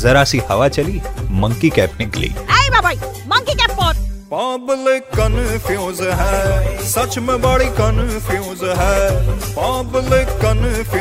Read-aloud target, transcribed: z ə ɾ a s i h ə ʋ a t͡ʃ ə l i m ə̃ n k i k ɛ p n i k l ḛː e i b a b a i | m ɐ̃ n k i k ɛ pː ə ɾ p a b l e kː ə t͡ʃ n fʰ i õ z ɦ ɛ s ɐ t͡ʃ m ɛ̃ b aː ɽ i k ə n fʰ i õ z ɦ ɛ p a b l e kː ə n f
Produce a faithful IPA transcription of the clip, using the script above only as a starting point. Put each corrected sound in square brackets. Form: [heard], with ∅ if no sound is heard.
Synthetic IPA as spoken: z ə ɾ a s i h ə ʋ a t͡ʃ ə l i m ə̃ [ŋ] k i k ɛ p n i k l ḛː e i b a b a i | m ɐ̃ [ŋ] k i k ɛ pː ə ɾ p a b l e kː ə [∅] n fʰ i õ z ɦ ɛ s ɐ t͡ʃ m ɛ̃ b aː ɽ i k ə n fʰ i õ z ɦ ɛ p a b l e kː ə n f